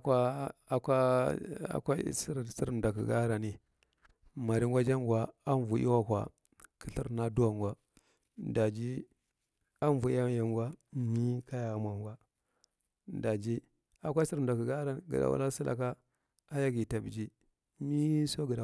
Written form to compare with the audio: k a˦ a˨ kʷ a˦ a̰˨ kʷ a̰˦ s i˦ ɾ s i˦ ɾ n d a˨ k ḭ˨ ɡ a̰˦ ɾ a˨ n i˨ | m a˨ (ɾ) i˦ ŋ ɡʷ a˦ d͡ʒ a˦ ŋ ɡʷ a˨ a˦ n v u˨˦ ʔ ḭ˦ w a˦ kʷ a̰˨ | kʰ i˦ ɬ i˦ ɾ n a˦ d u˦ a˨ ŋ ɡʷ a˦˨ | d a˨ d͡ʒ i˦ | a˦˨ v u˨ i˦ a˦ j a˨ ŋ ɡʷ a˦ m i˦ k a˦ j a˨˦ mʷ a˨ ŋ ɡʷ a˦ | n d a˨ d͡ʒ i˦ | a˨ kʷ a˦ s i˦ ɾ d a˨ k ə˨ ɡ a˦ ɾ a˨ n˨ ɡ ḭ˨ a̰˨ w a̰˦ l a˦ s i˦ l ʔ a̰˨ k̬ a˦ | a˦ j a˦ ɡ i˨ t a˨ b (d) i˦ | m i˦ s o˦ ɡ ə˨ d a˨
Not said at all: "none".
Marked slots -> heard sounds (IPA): ɾ, d͡ʒ

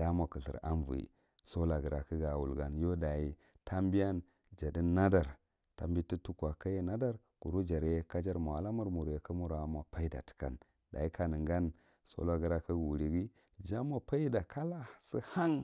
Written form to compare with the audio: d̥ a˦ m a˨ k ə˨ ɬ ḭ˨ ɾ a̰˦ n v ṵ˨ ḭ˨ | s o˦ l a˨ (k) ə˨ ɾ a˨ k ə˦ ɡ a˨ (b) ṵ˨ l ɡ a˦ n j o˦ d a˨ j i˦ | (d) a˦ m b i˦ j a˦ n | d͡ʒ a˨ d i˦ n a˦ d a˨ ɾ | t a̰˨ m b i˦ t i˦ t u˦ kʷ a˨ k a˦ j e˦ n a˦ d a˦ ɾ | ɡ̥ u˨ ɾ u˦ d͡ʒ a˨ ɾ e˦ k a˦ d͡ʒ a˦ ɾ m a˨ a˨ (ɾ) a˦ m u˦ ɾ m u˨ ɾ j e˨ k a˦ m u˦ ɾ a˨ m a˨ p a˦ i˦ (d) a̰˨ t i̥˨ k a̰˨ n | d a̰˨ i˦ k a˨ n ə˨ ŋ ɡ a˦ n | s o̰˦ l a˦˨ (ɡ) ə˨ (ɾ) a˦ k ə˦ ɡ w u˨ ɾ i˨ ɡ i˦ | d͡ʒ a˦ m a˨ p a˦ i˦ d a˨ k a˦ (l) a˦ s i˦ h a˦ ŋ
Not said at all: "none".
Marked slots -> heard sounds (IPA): ɡ, w, t, l, d, ɡ, ɾ, l

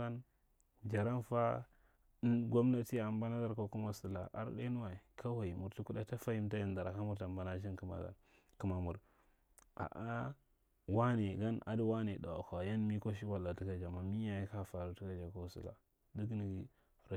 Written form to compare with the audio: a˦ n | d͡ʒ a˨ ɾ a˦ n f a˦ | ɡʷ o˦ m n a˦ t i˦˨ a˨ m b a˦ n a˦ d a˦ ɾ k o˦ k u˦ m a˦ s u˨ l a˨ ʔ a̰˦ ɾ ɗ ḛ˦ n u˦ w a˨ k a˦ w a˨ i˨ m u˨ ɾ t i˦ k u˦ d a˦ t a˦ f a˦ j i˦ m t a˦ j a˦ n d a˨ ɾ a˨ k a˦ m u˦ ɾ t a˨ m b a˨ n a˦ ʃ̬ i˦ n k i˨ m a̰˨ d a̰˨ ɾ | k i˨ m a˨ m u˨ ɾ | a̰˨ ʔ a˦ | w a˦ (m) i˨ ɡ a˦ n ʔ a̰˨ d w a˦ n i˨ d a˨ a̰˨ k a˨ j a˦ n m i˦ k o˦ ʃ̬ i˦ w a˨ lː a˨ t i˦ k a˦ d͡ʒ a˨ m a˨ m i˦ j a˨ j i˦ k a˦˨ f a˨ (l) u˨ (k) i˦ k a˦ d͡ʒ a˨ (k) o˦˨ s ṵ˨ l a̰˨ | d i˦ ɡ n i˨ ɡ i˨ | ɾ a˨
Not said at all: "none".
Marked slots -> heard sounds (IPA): n, ɾ, t, k

